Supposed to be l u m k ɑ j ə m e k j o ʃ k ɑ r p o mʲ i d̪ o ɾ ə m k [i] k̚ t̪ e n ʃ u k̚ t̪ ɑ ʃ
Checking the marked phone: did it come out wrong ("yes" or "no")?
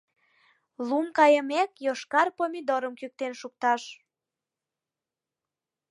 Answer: yes